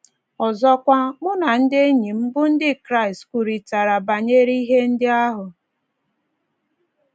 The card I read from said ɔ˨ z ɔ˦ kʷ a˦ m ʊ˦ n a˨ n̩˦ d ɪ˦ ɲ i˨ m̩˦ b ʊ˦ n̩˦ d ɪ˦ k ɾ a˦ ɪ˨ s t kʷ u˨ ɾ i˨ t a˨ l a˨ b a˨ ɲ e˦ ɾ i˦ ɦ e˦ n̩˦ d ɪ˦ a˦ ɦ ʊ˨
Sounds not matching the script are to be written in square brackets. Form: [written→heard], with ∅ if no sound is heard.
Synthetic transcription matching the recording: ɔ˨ z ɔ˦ kʷ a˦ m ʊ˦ n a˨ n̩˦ d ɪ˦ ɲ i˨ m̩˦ b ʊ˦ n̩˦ d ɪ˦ k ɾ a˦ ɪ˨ s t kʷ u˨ ɾ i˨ t a˨ [l→ɾ] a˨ b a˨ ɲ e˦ ɾ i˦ ɦ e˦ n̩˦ d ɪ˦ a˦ ɦ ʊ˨